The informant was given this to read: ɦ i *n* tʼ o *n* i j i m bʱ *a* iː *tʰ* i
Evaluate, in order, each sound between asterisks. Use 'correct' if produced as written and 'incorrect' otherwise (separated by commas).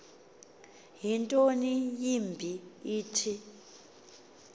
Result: correct, correct, incorrect, correct